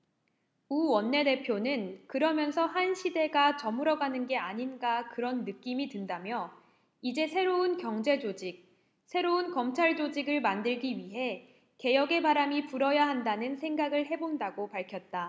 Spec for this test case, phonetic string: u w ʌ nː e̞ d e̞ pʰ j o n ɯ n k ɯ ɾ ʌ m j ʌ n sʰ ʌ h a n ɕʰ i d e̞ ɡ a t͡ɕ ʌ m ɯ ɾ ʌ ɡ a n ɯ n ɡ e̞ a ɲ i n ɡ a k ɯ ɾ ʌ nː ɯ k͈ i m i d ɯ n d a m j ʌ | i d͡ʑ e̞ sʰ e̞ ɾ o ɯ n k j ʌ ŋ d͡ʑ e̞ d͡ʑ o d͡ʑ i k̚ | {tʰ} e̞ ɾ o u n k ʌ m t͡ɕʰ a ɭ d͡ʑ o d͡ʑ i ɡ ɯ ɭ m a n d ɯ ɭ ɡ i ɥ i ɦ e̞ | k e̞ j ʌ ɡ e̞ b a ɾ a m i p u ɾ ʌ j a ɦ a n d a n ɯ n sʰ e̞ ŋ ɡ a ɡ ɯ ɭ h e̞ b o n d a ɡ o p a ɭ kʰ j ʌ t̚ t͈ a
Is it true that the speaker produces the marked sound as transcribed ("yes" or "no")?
no